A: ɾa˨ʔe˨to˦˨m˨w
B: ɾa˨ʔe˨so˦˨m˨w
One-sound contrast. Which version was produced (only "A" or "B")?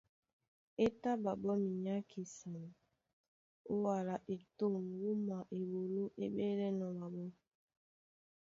A